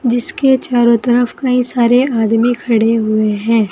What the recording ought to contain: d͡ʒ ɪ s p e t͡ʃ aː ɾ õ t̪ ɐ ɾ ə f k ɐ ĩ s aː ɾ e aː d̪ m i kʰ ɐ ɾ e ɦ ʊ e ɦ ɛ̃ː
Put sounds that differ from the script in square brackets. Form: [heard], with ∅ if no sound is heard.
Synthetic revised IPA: d͡ʒ ɪ s [k] e t͡ʃ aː ɾ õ t̪ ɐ ɾ ə f k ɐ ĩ s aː ɾ e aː d̪ m i kʰ ɐ [ɽ] e ɦ ʊ e ɦ ɛ̃ː